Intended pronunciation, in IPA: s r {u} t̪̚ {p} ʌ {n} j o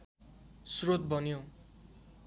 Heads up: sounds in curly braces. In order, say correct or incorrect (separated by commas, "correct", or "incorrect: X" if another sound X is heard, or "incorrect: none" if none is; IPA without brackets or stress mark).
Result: incorrect: o, incorrect: b, correct